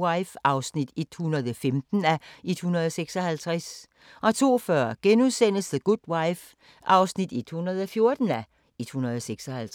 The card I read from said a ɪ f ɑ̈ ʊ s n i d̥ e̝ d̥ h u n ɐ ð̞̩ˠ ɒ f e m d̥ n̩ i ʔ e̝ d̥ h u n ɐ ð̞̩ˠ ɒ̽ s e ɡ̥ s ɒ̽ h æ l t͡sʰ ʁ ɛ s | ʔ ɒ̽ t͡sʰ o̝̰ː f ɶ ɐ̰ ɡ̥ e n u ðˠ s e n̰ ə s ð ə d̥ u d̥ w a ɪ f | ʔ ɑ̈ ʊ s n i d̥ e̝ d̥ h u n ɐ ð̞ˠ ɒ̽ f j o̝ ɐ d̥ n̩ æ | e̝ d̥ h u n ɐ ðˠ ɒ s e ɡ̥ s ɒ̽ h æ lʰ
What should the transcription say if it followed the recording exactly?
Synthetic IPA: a ɪ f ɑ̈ ʊ s n i d̥ e̝ d̥ h u n ɐ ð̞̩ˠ ɒ f e m d̥ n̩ æ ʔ e̝ d̥ h u n ɐ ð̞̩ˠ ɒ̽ s e ɡ̥ s ɒ̽ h æ l t͡sʰ ʁ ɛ s | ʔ ɒ̽ t͡sʰ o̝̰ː f ɶ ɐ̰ ɡ̥ e n u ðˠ s e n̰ ə s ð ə ɡ̥ u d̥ w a ɪ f | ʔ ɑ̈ ʊ s n i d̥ e̝ d̥ h u n ɐ ð̞ˠ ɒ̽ f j o̝ ɐ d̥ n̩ æ | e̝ d̥ h u n ɐ ðˠ ɒ s e ɡ̥ s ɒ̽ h æ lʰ